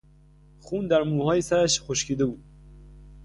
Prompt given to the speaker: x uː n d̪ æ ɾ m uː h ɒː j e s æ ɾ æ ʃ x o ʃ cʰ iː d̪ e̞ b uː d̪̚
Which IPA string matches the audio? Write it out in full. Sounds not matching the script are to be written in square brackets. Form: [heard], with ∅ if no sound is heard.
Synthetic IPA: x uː n d̪ æ ɾ m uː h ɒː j e s æ ɾ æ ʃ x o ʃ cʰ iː d̪ e̞ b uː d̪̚